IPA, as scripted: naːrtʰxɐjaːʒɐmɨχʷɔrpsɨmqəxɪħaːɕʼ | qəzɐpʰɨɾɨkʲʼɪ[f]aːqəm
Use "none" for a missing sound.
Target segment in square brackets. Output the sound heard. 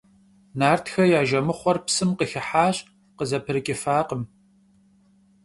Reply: f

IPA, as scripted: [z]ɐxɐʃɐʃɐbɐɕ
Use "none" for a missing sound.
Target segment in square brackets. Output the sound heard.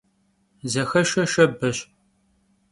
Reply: z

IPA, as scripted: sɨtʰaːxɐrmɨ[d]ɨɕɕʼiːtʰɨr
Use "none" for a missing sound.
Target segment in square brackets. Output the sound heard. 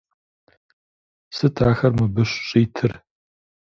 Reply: b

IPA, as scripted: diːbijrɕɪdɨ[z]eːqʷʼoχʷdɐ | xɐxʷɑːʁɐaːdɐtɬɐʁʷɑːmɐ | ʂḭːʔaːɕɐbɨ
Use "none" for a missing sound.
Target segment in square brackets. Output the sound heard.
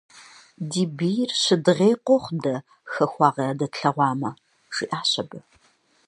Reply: ʁ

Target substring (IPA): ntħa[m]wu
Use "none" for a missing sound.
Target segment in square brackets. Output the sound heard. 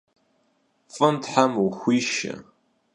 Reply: m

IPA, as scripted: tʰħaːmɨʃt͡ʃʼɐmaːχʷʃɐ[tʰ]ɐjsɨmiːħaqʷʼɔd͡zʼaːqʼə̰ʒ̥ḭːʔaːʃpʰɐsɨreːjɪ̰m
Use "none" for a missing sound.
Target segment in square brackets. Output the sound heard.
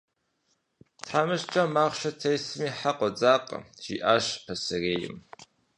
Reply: tʰ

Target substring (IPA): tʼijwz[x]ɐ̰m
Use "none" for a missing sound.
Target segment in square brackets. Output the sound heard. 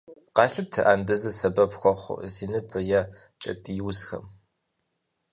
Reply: x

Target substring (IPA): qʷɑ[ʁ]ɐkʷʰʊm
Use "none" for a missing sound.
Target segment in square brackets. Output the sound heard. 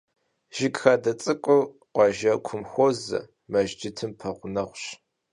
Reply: ʒ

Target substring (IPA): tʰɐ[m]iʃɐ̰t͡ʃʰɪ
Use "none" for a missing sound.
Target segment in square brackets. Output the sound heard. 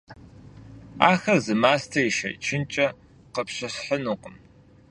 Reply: none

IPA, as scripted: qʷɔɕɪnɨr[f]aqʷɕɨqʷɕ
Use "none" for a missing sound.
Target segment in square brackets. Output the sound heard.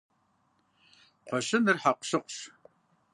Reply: ħ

